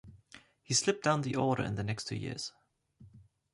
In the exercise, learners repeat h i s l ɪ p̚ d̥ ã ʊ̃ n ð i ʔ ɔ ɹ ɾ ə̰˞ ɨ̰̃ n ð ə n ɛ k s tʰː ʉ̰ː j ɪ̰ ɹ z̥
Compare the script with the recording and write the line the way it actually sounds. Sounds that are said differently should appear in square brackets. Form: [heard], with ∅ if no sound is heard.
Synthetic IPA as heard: h i s l ɪ p̚ d̥ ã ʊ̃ n ð i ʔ ɔ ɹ ɾ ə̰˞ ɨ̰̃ n ð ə n ɛ k s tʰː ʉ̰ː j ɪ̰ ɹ z̥